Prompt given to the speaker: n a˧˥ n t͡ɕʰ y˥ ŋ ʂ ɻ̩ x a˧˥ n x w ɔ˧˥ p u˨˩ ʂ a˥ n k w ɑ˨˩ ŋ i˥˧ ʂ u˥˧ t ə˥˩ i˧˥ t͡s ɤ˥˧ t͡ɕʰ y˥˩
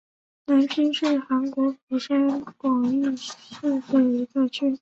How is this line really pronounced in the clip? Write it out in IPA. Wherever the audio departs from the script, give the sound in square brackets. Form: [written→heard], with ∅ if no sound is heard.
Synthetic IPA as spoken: n a˧˥ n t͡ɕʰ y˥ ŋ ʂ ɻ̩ x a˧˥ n [x→k] w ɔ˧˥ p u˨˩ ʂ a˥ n k w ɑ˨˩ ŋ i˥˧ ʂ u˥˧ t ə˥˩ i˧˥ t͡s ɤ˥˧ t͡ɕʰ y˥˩